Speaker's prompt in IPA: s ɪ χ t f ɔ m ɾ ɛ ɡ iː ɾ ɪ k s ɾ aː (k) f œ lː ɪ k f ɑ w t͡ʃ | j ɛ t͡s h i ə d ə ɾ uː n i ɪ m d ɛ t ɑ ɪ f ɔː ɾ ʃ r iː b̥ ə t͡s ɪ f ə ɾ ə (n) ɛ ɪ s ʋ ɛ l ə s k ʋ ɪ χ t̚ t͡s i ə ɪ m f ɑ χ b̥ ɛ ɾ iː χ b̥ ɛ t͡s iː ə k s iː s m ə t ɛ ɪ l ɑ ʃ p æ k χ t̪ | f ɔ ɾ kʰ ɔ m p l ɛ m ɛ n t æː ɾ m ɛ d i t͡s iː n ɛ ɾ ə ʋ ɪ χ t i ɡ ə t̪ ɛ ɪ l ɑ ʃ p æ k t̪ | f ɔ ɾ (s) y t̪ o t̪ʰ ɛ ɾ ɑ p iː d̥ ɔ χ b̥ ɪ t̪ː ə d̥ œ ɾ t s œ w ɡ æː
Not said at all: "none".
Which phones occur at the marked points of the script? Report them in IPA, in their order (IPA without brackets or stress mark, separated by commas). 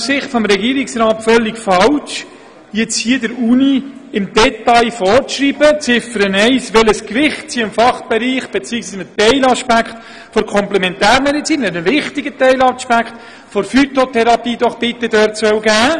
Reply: t, n, f